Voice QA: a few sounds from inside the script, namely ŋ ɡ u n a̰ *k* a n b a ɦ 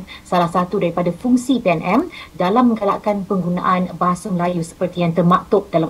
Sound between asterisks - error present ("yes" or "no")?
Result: yes